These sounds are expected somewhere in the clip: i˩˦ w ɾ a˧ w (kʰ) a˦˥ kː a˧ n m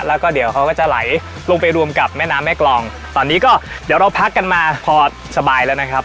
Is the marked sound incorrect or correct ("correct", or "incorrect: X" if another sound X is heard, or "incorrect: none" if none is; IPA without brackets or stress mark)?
incorrect: pʰ